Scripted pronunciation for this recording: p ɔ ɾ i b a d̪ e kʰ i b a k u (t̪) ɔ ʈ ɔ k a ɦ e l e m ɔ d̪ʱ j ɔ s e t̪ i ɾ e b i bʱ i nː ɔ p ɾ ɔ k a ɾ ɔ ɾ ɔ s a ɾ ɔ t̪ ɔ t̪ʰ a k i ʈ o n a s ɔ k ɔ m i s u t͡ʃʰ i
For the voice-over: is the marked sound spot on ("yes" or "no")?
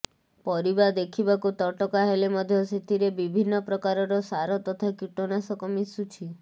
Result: yes